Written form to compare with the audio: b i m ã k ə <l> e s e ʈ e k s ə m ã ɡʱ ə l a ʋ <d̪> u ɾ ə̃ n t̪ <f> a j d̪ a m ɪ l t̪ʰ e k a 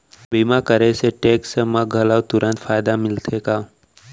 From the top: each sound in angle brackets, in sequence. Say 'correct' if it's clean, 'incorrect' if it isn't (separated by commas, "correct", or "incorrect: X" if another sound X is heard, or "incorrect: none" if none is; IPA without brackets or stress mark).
incorrect: ɾ, incorrect: t̪, correct